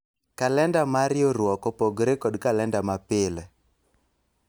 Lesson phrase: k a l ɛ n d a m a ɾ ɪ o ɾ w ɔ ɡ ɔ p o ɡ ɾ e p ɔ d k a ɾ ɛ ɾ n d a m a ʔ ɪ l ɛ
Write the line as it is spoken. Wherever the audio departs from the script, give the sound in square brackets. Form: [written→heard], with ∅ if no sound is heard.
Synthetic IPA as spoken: k a l ɛ n d a m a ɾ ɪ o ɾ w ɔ [ɡ→k] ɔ p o ɡ ɾ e [p→k] ɔ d k a [ɾ→l] ɛ [ɾ→∅] n d a m a [ʔ→p] ɪ l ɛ